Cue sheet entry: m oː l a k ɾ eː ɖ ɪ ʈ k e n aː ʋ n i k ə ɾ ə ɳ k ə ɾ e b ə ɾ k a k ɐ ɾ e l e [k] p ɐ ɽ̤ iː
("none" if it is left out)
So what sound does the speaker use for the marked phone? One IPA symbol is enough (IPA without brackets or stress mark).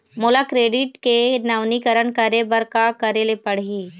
none